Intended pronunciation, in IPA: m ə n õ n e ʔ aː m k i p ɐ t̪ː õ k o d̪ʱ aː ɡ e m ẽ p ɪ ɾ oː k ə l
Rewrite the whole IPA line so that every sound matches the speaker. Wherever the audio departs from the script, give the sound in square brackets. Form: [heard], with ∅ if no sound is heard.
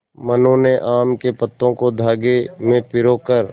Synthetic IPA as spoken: m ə n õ n e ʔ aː m k [e] p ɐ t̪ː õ k o d̪ʱ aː ɡ e m ẽ p ɪ ɾ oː k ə [ɾ]